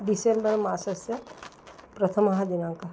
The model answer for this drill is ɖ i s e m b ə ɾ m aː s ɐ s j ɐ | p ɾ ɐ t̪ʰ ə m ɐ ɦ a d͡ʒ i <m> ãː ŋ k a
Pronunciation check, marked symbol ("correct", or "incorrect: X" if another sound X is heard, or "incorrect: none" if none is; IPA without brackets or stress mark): incorrect: n